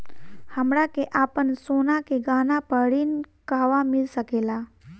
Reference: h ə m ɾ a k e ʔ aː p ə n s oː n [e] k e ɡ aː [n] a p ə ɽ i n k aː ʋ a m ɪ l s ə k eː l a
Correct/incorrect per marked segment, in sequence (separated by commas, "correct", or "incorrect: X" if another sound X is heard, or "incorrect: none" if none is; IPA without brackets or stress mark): incorrect: a, correct